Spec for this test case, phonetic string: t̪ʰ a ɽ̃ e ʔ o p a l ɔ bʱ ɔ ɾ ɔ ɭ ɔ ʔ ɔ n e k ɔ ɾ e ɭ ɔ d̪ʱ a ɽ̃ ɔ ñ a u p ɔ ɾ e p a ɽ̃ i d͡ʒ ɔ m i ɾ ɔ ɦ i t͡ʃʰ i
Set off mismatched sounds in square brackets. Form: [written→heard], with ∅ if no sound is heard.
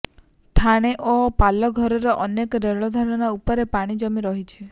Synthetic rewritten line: t̪ʰ a ɽ̃ e ʔ o p a l ɔ [bʱ→ɡʱ] ɔ ɾ ɔ [ɭ→ɾ] ɔ ʔ ɔ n e k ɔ ɾ e ɭ ɔ d̪ʱ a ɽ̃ ɔ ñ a u p ɔ ɾ e p a ɽ̃ i d͡ʒ ɔ m i ɾ ɔ ɦ i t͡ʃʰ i